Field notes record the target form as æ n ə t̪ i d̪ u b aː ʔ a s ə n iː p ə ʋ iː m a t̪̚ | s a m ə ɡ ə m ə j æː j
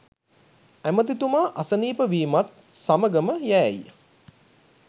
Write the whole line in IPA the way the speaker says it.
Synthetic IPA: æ m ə t̪ i t̪ u m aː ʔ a s ə n iː p ə ʋ iː m a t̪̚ | s a m ə ɡ ə m ə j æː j